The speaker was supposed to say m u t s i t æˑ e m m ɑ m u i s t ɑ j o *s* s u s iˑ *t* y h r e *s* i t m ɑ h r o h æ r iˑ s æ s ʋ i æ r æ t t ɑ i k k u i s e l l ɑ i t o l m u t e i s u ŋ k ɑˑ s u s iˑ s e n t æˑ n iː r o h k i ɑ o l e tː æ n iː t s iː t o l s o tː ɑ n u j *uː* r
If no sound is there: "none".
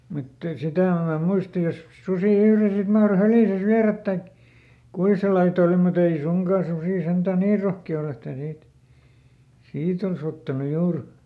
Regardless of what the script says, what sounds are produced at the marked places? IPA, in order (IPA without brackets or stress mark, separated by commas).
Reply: s, none, s, uː